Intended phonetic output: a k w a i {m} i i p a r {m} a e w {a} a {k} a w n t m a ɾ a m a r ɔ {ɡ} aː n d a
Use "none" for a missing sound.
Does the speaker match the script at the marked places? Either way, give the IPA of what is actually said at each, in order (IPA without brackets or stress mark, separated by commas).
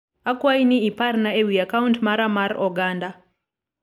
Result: n, n, i, k, ɡ